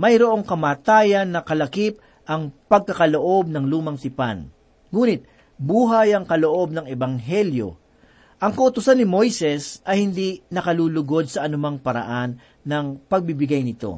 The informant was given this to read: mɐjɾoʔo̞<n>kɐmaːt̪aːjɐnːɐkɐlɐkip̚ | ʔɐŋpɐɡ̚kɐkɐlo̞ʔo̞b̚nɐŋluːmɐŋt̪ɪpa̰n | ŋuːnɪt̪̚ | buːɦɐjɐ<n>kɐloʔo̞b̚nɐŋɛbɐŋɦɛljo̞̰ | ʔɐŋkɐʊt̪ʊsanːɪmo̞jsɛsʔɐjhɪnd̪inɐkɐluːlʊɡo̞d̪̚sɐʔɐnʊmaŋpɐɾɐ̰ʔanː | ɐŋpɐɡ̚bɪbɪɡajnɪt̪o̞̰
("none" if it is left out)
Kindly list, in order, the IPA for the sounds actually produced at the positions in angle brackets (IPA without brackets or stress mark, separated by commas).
ŋ, ŋ